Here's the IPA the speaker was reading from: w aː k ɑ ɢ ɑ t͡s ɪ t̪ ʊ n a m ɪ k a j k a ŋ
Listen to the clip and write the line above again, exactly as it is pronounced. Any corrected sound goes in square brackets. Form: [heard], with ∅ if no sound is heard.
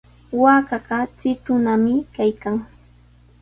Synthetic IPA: w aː k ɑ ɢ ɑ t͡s ɪ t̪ ʊ n a m ɪ k a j k a ŋ

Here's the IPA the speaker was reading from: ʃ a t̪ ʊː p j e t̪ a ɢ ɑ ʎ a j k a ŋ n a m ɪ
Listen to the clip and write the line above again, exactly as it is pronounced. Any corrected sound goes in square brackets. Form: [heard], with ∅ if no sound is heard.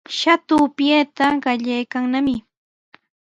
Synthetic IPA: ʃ a t̪ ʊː p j e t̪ a ɢ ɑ ʎ a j k a ŋ n a m ɪ

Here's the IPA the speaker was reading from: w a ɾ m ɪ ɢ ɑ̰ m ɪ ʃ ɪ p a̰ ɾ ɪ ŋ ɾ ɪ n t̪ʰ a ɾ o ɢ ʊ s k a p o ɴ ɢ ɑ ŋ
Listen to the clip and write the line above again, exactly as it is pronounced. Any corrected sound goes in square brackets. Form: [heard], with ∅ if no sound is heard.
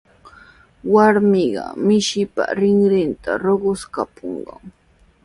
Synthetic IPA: w a ɾ m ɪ ɢ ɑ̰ m ɪ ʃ ɪ p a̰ ɾ ɪ ŋ ɾ ɪ n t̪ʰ a ɾ o ɢ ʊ s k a p o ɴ ɢ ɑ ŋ

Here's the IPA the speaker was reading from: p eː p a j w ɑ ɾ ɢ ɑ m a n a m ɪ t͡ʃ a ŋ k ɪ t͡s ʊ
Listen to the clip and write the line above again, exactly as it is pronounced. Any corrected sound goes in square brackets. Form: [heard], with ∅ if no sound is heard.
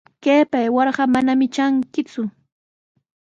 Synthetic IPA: [k] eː p a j w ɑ ɾ ɢ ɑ m a n a m ɪ t͡ʃ a ŋ k ɪ t͡s ʊ

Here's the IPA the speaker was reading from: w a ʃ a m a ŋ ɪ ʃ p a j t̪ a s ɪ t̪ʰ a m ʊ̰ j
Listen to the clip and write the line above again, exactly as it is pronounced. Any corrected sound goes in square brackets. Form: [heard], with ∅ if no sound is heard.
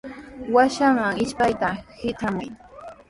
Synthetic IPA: w a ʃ a m a ŋ ɪ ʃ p a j t̪ a [h] ɪ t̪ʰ a m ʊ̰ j

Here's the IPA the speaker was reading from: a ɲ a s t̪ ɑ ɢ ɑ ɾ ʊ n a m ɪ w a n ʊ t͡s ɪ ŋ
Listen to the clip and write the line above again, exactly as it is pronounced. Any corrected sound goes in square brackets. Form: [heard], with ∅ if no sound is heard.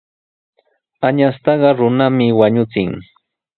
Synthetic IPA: a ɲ a s t̪ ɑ ɢ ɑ ɾ ʊ n a m ɪ w a [ɲ] ʊ t͡s ɪ ŋ

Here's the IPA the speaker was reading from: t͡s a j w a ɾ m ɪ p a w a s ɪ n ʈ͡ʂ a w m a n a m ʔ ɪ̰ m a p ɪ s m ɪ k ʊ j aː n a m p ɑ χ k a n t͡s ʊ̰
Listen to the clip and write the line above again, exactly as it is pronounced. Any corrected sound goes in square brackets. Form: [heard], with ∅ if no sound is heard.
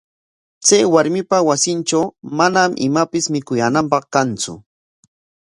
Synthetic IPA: t͡s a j w a ɾ m ɪ p a w a s ɪ n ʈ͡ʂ a w m a n a m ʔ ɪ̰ m a p ɪ s m ɪ k ʊ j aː n a m p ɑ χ k a n t͡s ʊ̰

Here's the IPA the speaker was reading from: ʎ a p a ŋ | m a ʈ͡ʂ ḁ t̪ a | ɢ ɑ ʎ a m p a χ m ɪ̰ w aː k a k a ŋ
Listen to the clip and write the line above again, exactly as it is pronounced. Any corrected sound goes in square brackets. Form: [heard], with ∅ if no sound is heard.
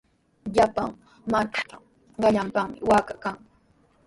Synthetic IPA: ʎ a p a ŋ | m a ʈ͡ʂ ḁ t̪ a | ɢ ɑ ʎ a m p a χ m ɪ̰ w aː k a k a ŋ

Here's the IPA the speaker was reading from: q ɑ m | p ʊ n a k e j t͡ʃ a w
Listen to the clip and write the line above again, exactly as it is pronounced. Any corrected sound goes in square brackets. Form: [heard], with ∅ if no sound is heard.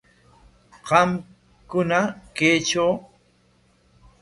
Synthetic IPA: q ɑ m | [k] ʊ n a k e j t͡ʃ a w

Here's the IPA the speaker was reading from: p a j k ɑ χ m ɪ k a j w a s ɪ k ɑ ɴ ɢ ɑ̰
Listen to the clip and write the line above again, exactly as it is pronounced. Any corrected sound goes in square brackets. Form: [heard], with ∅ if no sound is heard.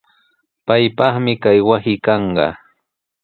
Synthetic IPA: p a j [p] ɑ χ m ɪ k a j w a s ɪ k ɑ ɴ ɢ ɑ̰

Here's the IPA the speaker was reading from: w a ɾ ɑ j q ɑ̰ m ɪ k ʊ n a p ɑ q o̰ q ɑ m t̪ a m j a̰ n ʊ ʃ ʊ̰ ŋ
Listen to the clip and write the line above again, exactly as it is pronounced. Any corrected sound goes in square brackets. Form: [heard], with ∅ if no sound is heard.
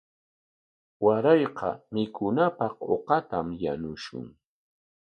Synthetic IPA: w a ɾ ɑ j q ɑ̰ m ɪ k ʊ n a p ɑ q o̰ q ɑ [∅] t̪ a m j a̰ n ʊ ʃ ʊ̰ ŋ

